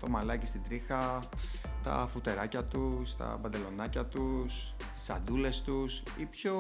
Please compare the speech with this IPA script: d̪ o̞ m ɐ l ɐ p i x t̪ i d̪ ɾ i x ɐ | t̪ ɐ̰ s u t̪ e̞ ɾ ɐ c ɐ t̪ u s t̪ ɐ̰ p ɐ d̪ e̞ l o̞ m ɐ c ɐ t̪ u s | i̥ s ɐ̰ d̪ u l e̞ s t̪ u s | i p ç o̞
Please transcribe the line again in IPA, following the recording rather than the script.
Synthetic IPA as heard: t̪ o̞ m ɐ l ɐ c i s t̪ i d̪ ɾ i x ɐ | t̪ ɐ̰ f u t̪ e̞ ɾ ɐ c ɐ t̪ u s t̪ ɐ̰ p ɐ d̪ e̞ l o̞ n ɐ c ɐ t̪ u s | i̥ s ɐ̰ d̪ u l e̞ s t̪ u s | i p ç o̞